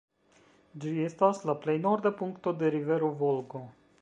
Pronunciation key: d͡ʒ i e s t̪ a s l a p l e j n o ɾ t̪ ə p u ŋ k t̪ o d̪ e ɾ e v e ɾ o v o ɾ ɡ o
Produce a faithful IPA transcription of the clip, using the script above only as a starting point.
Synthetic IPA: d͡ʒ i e s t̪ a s l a p l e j n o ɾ d̪ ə p u ŋ k t̪ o d̪ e ɾ i v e ɾ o v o l ɡ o